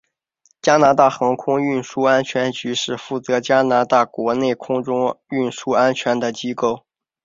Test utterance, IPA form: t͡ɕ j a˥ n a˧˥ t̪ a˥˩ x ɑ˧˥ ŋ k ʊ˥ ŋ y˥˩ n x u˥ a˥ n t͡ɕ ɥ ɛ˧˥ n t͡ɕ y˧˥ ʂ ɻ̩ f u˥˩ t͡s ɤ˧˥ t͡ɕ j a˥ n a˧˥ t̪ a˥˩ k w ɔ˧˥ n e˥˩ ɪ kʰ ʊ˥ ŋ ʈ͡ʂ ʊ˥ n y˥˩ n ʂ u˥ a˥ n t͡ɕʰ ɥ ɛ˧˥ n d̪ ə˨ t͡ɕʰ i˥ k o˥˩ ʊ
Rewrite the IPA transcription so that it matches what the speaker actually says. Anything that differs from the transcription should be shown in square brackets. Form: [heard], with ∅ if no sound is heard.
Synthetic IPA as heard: t͡ɕ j a˥ n a˧˥ t̪ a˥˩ x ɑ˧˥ ŋ [kʰ] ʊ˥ ŋ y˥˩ n [ʂ] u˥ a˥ n [t͡ɕʰ] ɥ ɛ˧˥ n t͡ɕ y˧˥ ʂ ɻ̩ f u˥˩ t͡s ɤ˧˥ t͡ɕ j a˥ n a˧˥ t̪ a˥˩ k w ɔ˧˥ n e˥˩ ɪ kʰ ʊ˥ ŋ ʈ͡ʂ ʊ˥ [ŋ] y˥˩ n ʂ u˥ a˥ n t͡ɕʰ ɥ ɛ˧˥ n d̪ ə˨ [t͡ɕ] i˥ k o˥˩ ʊ

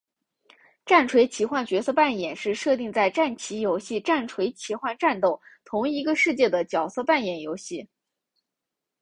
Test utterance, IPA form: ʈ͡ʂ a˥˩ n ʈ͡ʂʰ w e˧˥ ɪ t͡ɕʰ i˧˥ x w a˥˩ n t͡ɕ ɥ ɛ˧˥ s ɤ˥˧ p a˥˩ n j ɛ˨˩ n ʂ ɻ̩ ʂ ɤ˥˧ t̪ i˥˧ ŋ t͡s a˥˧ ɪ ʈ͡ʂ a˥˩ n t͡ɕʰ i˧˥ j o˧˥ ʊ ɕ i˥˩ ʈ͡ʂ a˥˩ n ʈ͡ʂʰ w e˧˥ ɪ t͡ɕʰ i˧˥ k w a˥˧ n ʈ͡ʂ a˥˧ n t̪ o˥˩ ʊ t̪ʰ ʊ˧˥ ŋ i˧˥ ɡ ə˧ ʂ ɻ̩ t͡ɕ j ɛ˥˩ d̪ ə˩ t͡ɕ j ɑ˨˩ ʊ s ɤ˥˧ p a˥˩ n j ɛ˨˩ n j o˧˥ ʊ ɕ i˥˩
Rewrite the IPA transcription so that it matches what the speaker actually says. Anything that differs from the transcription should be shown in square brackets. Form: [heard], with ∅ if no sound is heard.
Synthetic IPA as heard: ʈ͡ʂ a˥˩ n ʈ͡ʂʰ w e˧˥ ɪ t͡ɕʰ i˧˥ x w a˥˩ n t͡ɕ ɥ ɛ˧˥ s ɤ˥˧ p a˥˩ n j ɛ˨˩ n ʂ ɻ̩ ʂ ɤ˥˧ t̪ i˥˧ ŋ t͡s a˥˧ ɪ ʈ͡ʂ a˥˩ n t͡ɕʰ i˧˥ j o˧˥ ʊ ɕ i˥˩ ʈ͡ʂ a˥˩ n ʈ͡ʂʰ w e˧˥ ɪ t͡ɕʰ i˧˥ [x] w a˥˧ n ʈ͡ʂ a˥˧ n t̪ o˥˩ ʊ t̪ʰ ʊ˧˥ ŋ i˧˥ ɡ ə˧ ʂ ɻ̩ t͡ɕ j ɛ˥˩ d̪ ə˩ t͡ɕ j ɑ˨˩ ʊ s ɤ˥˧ p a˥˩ n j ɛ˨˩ n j o˧˥ ʊ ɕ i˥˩

